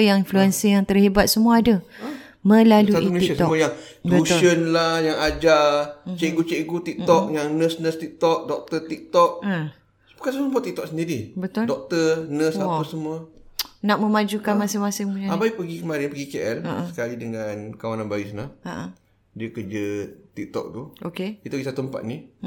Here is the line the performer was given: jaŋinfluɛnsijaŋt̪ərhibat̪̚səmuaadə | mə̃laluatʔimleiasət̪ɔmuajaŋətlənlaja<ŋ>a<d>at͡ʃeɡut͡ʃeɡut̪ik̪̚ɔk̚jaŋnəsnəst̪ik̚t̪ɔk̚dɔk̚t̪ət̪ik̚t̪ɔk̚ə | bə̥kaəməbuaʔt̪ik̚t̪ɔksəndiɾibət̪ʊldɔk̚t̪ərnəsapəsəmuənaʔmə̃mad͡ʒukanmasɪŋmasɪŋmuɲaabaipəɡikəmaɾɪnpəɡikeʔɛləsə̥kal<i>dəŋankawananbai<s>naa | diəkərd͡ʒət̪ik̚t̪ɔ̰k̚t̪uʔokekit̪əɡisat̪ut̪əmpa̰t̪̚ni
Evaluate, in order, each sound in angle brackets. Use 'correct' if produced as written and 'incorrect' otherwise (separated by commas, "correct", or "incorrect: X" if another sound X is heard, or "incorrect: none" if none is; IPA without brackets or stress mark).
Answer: correct, incorrect: d͡ʒ, correct, correct